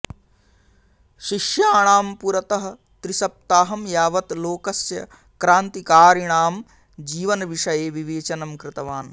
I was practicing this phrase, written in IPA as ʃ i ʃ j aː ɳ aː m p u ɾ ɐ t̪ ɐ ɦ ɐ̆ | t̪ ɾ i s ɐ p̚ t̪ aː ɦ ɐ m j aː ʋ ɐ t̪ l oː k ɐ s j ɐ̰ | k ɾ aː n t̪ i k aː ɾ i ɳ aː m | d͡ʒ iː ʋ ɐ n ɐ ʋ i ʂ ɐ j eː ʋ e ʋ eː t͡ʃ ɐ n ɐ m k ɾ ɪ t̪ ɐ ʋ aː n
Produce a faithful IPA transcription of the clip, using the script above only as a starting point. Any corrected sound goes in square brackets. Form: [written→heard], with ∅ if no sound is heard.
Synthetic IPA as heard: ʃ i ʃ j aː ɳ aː m p u ɾ ɐ t̪ ɐ ɦ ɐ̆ | t̪ ɾ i s ɐ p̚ t̪ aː ɦ ɐ m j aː ʋ ɐ t̪ l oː k ɐ s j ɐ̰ | k ɾ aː n t̪ i k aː ɾ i ɳ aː m | d͡ʒ iː ʋ ɐ n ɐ ʋ i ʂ ɐ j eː ʋ [e→i] ʋ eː t͡ʃ ɐ n ɐ m k ɾ ɪ t̪ ɐ ʋ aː n